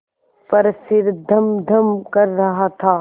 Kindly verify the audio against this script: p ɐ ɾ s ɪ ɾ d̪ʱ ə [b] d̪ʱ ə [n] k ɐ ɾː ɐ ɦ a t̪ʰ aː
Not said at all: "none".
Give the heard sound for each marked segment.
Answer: m, m

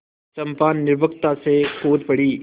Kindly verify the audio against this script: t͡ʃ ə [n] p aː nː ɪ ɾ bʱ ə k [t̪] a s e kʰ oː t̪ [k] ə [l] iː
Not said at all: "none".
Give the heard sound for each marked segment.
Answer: m, t̪, p, ɽ

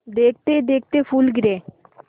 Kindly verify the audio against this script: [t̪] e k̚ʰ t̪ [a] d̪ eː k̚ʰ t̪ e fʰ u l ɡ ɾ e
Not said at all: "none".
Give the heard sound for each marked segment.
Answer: d̪, e

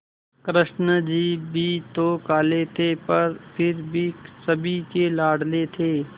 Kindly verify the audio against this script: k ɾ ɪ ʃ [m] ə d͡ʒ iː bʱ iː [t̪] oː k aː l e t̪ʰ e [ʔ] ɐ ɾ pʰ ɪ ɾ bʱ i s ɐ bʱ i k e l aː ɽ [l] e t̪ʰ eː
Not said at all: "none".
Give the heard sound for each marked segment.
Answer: n, t̪, p, l

